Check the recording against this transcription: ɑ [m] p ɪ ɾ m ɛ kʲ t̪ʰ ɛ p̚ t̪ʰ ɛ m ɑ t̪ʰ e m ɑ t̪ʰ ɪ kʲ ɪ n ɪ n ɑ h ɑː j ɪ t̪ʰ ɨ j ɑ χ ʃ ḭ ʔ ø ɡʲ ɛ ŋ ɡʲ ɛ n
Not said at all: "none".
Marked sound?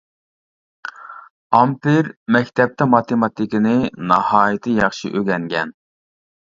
m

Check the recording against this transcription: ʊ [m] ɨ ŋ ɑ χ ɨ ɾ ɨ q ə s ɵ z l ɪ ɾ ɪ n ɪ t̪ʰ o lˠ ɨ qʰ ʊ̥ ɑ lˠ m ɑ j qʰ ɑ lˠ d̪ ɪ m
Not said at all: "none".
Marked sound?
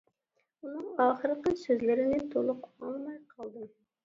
n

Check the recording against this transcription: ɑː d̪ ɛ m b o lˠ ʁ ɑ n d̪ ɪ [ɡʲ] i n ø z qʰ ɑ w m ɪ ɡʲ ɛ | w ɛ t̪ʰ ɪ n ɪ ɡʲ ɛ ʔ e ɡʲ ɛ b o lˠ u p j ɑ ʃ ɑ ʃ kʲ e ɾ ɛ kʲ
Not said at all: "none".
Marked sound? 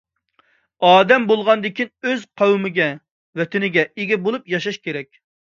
kʲ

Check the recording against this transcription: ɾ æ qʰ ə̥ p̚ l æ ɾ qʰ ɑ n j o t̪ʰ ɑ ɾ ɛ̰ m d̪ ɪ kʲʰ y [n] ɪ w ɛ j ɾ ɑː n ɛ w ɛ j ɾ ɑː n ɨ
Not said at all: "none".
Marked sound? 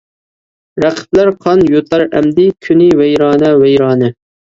n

